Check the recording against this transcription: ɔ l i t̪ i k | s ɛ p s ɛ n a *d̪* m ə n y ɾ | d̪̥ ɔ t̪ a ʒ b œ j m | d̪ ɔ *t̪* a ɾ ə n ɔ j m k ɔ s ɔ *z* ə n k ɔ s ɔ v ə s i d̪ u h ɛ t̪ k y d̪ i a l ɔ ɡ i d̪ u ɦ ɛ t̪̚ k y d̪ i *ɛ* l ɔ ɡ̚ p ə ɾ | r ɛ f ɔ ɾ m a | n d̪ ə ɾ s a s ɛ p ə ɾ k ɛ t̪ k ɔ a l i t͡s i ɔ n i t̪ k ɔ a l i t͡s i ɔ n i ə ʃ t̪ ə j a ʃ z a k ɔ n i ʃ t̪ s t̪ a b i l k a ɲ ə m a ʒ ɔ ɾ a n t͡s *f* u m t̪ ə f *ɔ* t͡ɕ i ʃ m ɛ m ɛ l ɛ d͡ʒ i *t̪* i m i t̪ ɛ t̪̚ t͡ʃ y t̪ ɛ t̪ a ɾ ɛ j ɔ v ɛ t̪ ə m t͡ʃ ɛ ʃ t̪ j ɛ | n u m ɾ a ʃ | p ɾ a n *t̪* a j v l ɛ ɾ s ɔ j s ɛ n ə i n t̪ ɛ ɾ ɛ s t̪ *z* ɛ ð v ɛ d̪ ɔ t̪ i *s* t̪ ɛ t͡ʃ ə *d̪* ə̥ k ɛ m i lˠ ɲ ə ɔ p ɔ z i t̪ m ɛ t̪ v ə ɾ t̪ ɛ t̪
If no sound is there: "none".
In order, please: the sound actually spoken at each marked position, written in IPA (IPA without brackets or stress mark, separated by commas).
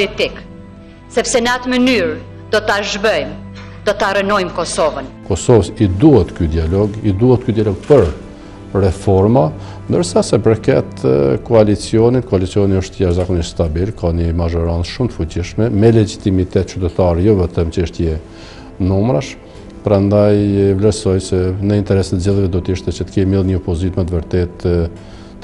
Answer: t̪, t̪, v, a, ʃ, u, t̪, d̪, z, ʃ, t̪